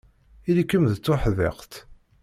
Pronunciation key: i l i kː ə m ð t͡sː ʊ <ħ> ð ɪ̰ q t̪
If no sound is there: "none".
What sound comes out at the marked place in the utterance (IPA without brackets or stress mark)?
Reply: ħ